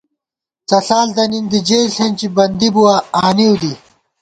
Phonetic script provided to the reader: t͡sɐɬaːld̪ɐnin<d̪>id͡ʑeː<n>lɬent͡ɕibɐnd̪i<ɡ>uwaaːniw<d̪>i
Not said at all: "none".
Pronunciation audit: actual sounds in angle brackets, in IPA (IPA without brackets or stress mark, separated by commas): d̪, none, b, d̪